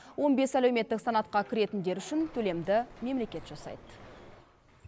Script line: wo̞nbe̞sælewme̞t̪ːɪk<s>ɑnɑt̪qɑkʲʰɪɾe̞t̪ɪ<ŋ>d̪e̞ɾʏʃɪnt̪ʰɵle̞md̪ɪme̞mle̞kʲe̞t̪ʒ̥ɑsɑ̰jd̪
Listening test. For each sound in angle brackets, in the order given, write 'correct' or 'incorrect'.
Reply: correct, incorrect

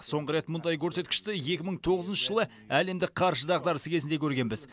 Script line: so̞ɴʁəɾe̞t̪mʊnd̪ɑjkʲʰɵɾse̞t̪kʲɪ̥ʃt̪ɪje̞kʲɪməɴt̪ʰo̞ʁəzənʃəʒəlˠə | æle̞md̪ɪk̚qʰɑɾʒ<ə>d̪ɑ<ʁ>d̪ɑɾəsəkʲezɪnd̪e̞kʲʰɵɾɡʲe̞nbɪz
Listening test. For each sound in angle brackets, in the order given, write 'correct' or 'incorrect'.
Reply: correct, correct

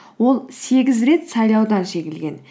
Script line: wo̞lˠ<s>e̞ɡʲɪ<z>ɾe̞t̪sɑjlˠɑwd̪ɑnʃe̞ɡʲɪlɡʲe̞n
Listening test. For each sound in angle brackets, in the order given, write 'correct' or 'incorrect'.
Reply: correct, correct

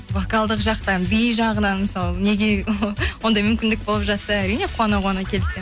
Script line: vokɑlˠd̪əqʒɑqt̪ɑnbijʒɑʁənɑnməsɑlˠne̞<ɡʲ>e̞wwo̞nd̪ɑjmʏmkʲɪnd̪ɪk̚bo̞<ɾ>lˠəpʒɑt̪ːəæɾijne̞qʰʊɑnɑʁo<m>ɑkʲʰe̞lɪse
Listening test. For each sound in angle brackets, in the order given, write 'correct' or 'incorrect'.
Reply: correct, incorrect, incorrect

